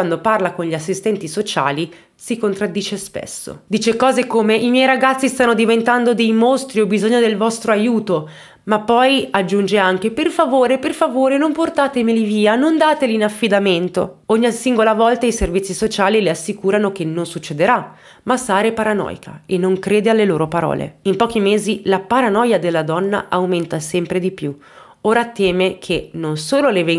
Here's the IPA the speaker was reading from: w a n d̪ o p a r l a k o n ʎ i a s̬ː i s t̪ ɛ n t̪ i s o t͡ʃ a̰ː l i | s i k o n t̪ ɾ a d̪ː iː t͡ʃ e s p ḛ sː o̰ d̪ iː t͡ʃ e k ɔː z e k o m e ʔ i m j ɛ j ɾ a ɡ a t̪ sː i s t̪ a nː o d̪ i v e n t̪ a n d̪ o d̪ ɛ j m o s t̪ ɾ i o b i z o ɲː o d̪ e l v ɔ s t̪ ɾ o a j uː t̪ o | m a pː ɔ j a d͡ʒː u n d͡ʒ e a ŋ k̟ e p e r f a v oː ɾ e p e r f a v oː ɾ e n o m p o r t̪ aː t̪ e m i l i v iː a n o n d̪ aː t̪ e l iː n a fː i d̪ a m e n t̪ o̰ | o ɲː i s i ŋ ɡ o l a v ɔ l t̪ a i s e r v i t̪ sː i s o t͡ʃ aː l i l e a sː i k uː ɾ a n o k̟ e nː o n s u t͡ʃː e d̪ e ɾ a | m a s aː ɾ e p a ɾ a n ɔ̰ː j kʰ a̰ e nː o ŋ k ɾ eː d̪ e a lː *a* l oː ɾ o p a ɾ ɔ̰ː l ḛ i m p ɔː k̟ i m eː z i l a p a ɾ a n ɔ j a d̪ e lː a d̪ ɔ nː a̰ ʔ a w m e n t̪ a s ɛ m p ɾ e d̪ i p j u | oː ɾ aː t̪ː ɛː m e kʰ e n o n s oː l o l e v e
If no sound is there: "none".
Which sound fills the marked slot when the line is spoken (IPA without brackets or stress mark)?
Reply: e